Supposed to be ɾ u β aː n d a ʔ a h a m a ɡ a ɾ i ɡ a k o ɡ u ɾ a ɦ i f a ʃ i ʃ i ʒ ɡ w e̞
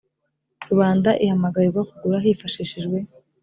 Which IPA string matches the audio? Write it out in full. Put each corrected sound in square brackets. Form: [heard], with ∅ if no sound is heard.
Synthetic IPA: ɾ u β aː n d a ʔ [i] h a m a ɡ a ɾ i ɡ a k [u] ɡ u ɾ a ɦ i f a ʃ i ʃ i ʒ ɡ w e̞